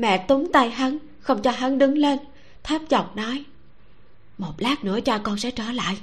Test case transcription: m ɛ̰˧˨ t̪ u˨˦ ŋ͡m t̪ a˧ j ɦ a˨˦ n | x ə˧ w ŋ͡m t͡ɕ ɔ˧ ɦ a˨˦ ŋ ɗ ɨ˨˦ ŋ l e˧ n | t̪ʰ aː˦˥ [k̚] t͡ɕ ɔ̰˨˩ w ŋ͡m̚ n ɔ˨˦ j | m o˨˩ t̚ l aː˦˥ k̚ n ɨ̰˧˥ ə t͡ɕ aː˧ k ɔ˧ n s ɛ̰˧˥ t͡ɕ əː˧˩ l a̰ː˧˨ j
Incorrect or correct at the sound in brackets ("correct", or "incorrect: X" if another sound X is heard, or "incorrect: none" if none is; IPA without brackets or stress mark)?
incorrect: p̚